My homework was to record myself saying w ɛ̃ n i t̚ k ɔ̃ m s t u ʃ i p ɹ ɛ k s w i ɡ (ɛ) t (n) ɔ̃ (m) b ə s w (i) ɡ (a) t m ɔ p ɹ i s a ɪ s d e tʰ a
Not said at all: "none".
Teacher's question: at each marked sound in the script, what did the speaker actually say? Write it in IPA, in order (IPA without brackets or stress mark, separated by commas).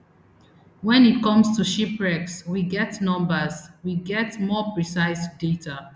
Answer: ɛ, n, m, i, ɛ